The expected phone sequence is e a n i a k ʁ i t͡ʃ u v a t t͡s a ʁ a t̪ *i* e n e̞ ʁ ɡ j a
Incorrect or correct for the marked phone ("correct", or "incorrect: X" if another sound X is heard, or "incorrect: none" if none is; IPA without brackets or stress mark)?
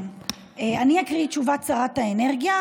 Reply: incorrect: a